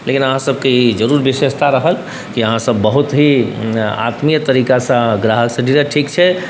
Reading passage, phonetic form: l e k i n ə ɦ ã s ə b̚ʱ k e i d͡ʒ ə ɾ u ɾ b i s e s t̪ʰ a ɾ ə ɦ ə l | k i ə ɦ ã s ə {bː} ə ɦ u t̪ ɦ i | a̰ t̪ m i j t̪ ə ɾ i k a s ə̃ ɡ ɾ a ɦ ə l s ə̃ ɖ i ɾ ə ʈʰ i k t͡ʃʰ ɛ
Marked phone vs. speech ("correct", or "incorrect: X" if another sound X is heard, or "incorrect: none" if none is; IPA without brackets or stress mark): correct